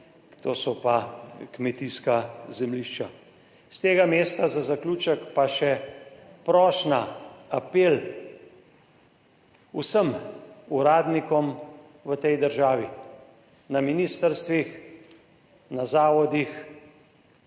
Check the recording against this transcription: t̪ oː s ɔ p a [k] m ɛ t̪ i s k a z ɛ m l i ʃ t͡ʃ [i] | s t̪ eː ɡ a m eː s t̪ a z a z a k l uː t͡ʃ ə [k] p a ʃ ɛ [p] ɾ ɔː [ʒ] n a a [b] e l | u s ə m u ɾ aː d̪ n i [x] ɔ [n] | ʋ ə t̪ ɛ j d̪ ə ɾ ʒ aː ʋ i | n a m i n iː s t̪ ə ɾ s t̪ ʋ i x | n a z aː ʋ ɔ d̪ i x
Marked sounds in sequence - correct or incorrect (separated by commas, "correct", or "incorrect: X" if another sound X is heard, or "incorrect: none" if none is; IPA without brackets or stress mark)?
correct, incorrect: a, correct, correct, incorrect: ʃ, incorrect: p, incorrect: k, incorrect: m